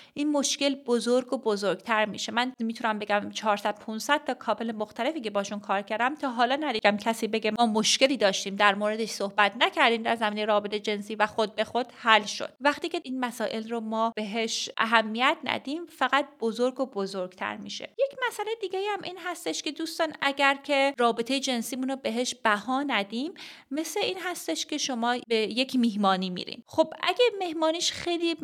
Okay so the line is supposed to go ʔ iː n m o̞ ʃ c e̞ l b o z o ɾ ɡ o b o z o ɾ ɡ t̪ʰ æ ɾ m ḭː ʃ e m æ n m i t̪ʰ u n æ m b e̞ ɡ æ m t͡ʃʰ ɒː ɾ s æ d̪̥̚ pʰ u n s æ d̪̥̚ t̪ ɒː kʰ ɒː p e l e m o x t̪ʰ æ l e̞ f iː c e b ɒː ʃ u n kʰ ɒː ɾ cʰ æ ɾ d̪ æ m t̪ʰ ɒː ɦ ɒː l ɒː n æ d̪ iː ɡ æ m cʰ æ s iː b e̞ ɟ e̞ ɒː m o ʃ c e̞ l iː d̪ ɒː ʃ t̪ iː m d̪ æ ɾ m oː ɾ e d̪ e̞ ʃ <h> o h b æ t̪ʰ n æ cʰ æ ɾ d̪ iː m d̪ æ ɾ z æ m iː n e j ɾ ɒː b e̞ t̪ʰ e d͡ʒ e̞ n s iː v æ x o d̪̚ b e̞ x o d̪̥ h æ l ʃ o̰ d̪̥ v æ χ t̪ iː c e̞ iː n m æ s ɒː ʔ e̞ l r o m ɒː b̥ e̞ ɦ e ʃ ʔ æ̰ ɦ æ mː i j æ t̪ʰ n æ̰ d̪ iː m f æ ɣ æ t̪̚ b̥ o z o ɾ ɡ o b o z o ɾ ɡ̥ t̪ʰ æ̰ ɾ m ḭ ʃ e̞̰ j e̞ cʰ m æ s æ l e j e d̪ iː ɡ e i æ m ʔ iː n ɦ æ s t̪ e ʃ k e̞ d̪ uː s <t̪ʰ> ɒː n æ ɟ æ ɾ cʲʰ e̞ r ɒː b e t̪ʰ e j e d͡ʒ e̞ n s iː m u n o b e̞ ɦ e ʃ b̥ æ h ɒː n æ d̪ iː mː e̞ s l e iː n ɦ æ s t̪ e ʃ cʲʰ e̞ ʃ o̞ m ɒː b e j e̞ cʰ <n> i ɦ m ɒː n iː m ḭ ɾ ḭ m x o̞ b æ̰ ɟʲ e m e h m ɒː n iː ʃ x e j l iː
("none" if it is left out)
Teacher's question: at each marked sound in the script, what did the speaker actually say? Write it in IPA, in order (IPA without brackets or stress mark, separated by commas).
s, t̪, m